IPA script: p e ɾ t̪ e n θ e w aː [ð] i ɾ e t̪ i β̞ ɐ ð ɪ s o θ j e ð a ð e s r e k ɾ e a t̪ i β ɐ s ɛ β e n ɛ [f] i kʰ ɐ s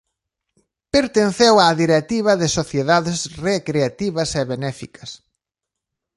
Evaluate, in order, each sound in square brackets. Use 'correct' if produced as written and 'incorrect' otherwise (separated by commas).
correct, correct